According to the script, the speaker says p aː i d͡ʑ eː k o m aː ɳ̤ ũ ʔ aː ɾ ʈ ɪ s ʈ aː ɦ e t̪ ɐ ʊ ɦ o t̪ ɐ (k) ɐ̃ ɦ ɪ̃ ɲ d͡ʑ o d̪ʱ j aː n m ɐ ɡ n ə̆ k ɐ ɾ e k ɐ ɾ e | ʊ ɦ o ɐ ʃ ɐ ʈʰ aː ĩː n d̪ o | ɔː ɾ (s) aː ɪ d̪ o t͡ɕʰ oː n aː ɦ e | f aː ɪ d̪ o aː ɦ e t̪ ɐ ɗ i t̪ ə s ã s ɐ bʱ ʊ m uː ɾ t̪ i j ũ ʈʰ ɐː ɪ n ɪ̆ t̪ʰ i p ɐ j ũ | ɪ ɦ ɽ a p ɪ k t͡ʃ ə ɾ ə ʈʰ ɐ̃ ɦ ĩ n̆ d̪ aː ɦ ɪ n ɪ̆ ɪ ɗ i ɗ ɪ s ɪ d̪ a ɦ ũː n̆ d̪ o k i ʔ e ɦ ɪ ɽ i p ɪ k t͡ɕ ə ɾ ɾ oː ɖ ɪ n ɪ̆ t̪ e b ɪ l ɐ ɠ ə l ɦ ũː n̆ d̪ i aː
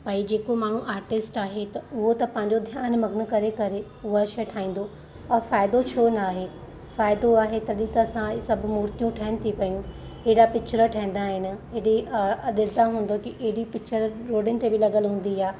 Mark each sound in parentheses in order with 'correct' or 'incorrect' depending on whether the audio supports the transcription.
incorrect: p, incorrect: f

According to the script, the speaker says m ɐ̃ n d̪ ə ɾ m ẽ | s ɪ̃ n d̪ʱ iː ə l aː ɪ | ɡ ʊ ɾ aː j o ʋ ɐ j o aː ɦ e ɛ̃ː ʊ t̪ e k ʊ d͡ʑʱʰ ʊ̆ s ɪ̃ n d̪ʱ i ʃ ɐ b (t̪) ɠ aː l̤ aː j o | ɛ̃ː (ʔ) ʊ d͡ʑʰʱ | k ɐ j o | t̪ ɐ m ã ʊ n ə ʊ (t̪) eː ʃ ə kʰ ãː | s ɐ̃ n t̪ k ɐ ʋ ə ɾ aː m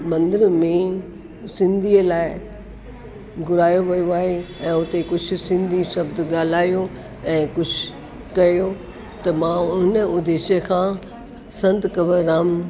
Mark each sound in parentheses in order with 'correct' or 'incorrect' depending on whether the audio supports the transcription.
incorrect: d̪, incorrect: k, incorrect: d̪

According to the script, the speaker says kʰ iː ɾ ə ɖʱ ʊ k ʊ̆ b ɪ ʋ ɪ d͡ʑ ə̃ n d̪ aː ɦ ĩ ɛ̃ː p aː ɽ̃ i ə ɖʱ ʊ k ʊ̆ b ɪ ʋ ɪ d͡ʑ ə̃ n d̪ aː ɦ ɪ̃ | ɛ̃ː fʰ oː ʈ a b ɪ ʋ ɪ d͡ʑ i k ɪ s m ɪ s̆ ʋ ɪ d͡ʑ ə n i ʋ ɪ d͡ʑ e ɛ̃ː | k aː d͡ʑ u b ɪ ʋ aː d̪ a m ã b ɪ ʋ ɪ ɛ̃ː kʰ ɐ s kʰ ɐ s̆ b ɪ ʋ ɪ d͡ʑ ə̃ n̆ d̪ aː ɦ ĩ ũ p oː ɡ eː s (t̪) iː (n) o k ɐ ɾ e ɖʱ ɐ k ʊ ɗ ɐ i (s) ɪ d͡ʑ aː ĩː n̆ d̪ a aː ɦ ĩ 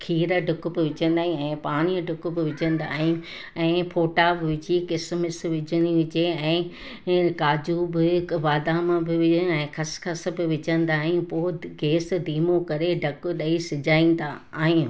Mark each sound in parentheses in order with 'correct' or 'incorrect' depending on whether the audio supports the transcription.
incorrect: d̪, incorrect: m, correct

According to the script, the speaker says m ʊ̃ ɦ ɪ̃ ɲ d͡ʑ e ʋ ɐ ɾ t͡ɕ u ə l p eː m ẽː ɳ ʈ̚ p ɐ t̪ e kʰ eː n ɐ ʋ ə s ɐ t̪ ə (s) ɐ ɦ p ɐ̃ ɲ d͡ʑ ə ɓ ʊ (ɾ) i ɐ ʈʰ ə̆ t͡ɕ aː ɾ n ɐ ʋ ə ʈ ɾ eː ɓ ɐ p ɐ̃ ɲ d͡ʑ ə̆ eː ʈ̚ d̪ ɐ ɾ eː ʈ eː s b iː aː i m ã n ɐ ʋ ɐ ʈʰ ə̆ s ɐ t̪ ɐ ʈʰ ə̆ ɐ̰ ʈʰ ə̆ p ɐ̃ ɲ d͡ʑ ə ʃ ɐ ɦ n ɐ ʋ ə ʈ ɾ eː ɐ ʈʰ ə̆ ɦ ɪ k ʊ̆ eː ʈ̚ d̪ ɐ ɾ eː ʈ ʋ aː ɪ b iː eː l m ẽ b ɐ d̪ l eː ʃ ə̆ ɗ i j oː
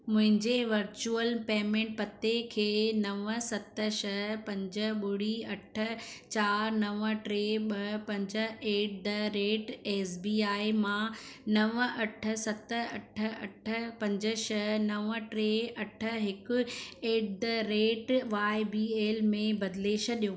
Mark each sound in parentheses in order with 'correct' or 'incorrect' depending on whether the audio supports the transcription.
incorrect: ʃ, incorrect: ɽ

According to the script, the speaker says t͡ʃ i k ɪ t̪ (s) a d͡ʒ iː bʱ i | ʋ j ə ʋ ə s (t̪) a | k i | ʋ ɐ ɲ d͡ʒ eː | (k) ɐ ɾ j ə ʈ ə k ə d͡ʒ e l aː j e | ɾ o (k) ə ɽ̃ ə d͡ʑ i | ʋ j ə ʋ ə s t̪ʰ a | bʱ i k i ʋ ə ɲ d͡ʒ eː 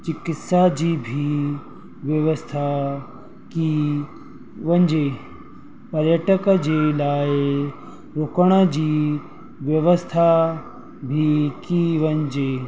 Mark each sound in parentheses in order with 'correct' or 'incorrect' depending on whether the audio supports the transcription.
correct, incorrect: t̪ʰ, incorrect: p, correct

